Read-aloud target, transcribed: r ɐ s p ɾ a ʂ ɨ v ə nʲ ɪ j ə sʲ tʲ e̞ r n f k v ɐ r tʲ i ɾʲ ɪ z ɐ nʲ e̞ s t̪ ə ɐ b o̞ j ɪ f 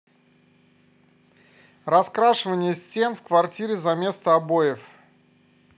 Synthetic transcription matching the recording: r ɐ s k ɾ a ʂ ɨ v ə nʲ ɪ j ə sʲ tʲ e̞ n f k v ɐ r tʲ i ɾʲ ɪ z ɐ mʲ e̞ s t̪ ə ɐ b o̞ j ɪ f